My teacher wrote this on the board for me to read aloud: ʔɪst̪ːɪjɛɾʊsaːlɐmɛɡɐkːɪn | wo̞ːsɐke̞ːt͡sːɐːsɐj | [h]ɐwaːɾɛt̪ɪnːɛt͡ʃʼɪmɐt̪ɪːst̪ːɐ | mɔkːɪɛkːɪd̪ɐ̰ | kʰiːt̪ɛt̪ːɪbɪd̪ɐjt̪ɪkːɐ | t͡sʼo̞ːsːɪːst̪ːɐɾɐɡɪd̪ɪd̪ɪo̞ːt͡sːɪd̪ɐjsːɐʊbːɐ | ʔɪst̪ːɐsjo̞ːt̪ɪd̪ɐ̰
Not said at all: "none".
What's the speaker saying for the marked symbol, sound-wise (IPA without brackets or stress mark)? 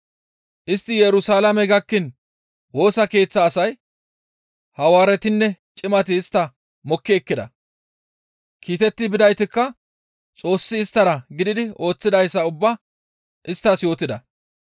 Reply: h